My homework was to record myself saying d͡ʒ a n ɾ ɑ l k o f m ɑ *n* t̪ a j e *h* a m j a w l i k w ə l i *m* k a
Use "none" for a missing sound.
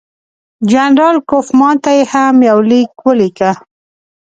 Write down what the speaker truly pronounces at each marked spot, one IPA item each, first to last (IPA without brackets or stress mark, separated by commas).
n, h, none